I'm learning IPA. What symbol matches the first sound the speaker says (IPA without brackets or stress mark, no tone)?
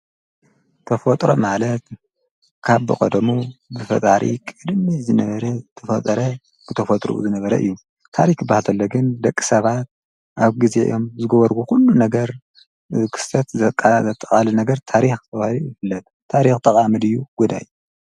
t̪ʰ